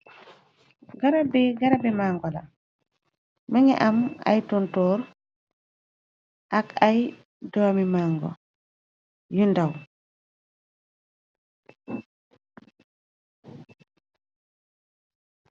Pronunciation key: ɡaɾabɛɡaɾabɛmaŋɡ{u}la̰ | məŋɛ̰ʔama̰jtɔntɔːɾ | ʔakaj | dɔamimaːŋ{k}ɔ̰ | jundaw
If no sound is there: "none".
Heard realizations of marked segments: ɔ, ɡ

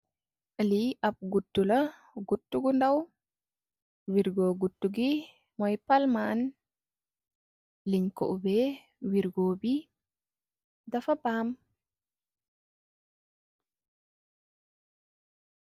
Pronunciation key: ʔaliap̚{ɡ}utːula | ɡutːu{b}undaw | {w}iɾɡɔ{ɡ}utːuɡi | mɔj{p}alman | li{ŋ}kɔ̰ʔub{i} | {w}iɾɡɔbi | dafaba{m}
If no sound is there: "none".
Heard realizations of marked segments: ɡ, ɡ, w, ɡ, p, ɲ, ɛ, w, m

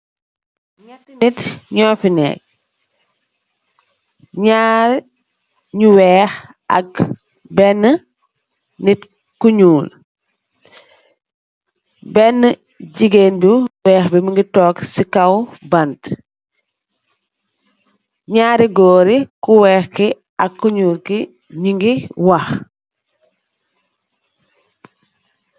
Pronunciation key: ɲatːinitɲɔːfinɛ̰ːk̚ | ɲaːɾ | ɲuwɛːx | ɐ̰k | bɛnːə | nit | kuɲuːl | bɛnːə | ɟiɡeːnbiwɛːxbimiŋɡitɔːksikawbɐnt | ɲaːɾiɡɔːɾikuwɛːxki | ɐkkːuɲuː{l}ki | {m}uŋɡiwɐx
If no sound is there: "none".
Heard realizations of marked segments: l, ɲ

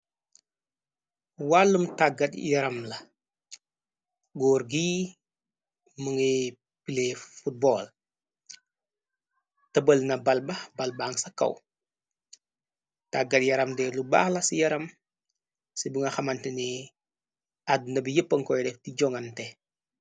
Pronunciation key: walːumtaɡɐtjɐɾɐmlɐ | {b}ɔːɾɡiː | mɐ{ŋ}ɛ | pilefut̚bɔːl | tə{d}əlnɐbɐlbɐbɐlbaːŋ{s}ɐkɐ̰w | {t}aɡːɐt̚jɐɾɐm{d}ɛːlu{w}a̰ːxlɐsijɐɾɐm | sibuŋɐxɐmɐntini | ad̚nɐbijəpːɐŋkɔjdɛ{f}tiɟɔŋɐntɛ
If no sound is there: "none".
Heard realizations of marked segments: ɡ, ŋ, b, s, t, d, b, f

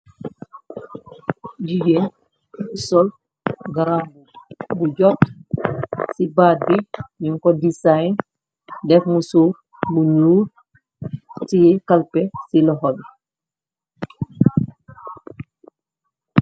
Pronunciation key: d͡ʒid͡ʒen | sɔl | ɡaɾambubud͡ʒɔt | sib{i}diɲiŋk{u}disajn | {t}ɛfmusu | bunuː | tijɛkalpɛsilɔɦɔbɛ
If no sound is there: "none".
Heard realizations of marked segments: a, ɔ, d

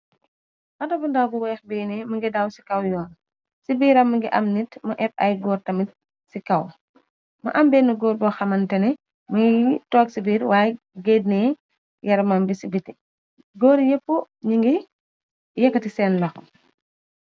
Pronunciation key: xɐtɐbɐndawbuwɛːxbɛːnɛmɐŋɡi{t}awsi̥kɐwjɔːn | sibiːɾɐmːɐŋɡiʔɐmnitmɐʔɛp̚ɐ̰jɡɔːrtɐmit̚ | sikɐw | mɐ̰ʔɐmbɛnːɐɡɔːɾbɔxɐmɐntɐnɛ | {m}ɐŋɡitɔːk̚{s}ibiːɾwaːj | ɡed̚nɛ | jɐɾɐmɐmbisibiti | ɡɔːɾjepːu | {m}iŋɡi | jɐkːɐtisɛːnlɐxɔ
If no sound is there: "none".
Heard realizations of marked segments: d, m, s, ɲ

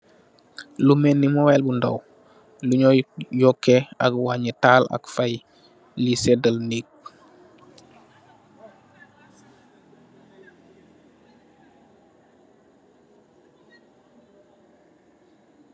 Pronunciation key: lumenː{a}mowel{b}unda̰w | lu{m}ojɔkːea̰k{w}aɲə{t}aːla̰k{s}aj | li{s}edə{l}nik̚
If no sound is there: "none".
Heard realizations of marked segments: i, b, ɲ, w, t, f, s, l

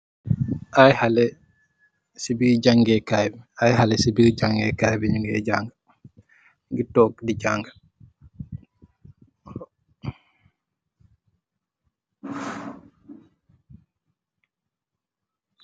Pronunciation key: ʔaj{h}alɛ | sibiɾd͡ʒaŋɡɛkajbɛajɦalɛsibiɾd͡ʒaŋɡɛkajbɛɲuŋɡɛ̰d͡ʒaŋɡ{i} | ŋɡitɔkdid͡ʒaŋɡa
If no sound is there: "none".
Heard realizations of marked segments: h, a

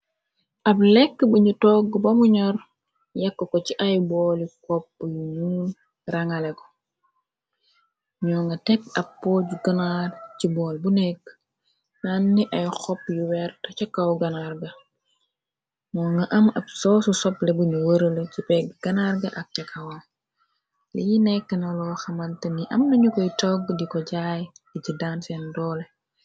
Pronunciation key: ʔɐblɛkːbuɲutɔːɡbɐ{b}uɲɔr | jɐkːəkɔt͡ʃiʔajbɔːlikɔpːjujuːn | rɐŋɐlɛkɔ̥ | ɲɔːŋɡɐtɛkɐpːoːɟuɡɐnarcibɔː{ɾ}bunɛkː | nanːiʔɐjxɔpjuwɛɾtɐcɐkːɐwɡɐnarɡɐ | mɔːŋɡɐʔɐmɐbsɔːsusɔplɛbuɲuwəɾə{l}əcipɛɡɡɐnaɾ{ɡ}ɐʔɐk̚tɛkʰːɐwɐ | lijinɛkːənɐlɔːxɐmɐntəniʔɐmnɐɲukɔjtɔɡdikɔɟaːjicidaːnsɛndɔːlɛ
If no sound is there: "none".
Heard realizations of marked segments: m, l, l, ɡ

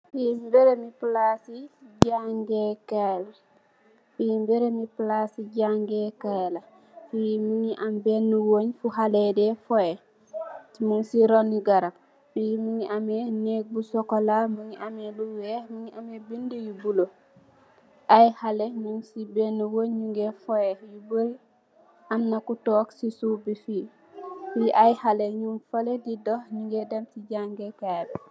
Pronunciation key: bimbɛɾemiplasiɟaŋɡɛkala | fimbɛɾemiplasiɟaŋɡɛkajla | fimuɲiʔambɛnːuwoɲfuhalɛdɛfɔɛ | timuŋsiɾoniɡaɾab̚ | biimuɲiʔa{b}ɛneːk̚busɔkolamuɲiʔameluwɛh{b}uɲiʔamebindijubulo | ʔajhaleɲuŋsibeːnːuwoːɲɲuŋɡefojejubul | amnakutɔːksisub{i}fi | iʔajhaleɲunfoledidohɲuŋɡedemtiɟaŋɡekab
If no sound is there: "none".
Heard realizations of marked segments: m, m, i

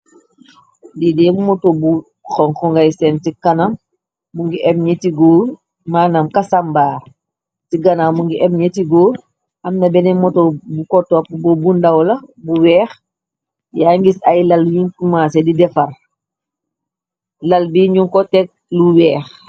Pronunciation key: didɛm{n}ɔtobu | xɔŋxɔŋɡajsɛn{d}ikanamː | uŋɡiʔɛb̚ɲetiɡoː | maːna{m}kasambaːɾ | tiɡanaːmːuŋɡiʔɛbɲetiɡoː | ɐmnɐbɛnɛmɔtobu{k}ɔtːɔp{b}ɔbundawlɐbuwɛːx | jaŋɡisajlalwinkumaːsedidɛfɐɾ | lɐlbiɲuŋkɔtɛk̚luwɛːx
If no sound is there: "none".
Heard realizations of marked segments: m, t, m, k, b

